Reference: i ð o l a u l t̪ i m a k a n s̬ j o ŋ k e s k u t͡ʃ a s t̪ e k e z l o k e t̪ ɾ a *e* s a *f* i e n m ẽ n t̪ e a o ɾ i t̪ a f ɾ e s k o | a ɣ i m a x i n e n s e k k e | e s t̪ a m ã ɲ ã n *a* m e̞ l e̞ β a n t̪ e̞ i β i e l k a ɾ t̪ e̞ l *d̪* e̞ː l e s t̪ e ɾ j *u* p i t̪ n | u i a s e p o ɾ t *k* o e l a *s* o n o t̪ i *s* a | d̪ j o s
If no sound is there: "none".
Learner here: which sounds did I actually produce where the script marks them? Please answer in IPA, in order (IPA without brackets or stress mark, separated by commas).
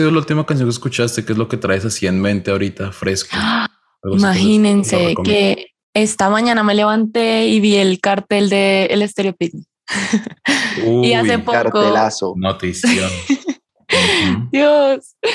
e, s, a, d̪, o, k, s, s